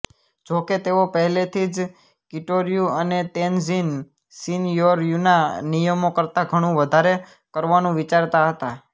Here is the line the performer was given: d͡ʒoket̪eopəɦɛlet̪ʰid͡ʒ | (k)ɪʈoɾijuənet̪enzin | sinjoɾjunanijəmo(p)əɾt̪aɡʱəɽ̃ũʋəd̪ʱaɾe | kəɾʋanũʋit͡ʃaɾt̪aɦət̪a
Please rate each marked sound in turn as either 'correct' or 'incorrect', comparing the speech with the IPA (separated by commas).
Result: correct, incorrect